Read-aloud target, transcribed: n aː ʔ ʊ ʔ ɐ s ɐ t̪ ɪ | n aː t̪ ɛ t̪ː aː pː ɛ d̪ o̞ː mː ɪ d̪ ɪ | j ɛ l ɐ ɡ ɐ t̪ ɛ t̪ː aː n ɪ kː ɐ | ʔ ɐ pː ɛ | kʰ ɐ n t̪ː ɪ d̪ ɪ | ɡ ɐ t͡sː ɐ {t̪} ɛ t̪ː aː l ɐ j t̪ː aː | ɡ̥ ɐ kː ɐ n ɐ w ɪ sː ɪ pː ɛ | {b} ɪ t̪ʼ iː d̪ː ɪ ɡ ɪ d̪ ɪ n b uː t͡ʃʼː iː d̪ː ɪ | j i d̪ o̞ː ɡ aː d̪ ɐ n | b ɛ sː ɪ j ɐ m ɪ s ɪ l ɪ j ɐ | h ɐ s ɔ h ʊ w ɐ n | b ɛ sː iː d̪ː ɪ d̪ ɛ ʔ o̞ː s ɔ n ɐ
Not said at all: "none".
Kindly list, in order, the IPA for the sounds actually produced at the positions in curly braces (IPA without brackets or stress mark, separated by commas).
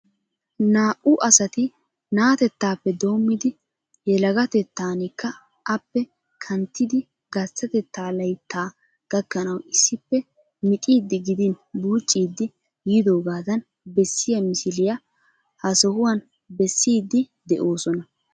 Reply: t̪, m